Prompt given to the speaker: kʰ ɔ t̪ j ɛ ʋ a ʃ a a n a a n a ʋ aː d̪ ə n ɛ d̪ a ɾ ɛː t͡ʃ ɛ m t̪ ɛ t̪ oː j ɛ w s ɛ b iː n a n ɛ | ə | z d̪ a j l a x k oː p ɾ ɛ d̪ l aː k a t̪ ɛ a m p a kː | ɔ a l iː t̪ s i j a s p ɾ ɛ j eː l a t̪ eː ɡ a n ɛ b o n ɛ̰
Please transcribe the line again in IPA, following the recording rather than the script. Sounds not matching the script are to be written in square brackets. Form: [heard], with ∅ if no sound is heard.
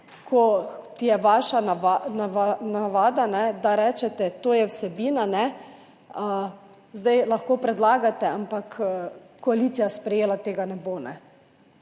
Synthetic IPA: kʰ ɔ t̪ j ɛ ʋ a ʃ a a n a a n a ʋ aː d̪ [a] n ɛ d̪ a ɾ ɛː t͡ʃ ɛ [∅] t̪ ɛ t̪ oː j ɛ w s ɛ b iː n a n ɛ | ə | z d̪ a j l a x k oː p ɾ ɛ d̪ l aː [ɡ] a t̪ ɛ a m p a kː | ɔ a l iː t̪ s i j a s p ɾ ɛ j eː l a t̪ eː ɡ a n ɛ b o n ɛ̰